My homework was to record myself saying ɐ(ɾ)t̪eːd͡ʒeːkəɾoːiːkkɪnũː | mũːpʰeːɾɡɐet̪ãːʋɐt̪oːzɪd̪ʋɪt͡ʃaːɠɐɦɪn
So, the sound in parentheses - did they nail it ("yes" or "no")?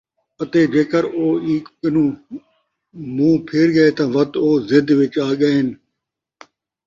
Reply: no